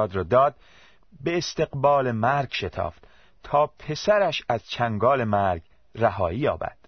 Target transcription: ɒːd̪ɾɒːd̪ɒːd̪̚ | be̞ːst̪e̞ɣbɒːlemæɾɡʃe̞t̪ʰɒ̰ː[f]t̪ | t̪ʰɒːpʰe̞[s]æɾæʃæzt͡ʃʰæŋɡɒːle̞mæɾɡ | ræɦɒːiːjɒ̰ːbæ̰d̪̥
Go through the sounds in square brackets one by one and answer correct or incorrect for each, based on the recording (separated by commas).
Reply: correct, correct